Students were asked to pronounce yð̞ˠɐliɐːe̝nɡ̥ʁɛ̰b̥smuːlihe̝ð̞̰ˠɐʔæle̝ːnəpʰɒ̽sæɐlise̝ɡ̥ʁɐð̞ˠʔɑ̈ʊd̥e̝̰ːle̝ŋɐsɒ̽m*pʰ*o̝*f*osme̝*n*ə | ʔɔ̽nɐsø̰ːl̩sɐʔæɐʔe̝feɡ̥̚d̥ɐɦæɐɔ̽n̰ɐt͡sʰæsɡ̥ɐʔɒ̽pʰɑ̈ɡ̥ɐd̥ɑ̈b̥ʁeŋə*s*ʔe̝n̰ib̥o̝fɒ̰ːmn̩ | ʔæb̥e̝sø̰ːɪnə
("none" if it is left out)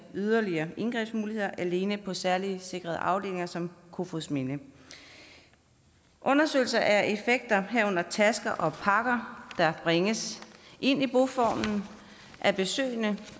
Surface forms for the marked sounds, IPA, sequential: kʰ, f, n, s

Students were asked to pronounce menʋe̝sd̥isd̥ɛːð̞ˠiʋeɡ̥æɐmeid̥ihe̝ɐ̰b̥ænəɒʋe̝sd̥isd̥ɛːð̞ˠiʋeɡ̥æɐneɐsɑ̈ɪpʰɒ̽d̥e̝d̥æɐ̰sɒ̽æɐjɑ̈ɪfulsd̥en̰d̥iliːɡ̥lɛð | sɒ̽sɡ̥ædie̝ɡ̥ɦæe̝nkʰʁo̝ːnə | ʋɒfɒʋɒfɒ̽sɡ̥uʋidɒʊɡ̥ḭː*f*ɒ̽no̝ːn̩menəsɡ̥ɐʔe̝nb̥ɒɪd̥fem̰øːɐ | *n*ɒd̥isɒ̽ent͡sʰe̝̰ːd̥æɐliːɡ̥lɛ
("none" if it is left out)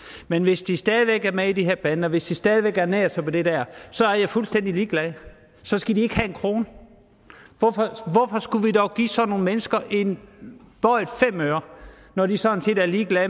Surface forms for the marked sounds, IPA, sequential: s, n

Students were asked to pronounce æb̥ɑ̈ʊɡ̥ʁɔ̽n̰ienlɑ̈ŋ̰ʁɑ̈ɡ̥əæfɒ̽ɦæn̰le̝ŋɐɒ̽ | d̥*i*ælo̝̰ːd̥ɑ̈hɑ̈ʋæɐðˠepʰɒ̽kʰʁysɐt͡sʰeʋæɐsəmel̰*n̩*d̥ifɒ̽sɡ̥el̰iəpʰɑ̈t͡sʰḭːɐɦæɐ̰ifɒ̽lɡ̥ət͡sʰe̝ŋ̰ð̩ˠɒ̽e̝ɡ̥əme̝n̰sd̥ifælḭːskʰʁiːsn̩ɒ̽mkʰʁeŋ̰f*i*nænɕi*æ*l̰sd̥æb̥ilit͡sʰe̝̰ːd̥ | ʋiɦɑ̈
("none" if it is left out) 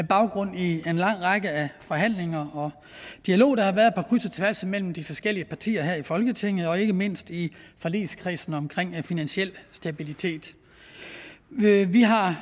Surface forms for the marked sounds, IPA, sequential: i, m̩, i, e

